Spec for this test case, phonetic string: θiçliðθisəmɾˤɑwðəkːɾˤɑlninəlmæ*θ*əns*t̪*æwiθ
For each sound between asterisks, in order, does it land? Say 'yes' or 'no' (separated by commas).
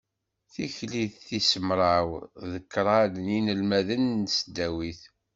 no, no